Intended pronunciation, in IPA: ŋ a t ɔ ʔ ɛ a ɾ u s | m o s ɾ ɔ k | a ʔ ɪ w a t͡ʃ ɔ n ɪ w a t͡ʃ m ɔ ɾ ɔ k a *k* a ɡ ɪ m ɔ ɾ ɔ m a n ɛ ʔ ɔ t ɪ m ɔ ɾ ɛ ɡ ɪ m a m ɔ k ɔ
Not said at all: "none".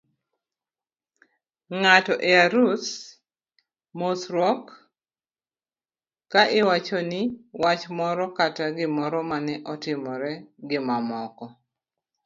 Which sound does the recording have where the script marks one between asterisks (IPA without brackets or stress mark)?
t